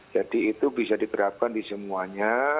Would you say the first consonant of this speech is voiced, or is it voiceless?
voiced